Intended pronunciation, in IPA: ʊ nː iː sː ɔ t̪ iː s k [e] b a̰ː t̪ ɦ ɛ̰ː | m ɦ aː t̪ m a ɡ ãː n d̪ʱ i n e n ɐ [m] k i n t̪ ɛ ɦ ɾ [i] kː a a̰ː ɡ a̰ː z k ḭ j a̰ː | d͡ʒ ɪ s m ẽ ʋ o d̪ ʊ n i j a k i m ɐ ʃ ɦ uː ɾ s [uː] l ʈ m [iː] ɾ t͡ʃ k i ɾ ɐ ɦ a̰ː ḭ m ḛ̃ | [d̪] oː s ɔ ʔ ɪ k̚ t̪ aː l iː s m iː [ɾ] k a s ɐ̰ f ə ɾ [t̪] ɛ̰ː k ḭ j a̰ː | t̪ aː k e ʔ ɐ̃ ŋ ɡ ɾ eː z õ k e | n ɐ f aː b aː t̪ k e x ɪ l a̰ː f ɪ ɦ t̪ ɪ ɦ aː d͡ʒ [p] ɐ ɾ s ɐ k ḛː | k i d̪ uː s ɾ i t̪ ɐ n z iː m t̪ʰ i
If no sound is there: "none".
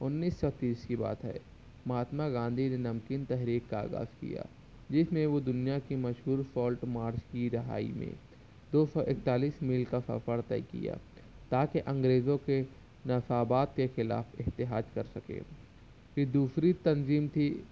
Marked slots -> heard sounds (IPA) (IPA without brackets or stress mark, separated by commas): i, m, iː, ɔː, aː, d̪, l, t̪, k